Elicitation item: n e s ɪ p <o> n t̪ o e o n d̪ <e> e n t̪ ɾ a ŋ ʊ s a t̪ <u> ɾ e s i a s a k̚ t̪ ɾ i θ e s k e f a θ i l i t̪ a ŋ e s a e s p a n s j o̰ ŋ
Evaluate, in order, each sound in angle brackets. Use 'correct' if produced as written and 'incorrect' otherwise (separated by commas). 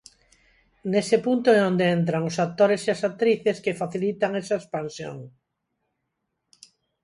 incorrect, correct, incorrect